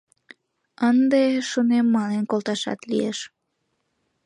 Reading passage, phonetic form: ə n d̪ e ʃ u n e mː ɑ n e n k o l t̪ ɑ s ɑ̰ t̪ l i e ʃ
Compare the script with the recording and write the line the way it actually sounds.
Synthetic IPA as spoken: ə n d̪ e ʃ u n e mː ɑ n e n k o l t̪ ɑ ʃ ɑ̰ t̪ l i e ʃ